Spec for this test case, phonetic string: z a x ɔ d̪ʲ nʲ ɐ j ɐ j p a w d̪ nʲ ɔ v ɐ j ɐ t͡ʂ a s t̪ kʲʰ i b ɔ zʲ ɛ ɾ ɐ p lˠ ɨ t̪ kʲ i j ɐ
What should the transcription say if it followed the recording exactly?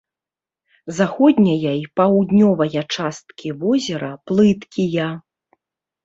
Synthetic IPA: z a x ɔ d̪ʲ nʲ ɐ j ɐ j p a w d̪ nʲ ɔ v ɐ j ɐ t͡ʂ a s t̪ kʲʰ i v ɔ zʲ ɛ ɾ ɐ p lˠ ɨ t̪ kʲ i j ɐ